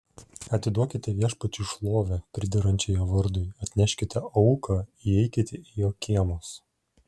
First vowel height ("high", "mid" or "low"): low